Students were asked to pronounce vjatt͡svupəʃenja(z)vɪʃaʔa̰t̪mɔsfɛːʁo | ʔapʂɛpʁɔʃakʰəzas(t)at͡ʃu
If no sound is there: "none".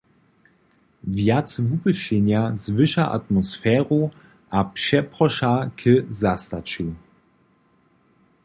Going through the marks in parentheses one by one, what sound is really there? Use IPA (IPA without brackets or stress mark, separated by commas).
z, t